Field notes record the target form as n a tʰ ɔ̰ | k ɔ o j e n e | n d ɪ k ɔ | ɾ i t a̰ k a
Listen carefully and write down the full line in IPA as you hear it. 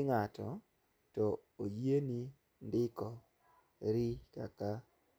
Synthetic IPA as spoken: ŋ a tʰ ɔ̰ | t ɔ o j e n i | n d ɪ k ɔ | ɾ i k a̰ k a